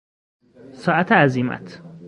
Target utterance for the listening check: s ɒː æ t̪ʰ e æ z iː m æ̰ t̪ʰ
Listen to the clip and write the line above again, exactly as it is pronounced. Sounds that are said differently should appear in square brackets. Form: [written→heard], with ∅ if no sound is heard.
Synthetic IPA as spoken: s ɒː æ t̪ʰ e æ z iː m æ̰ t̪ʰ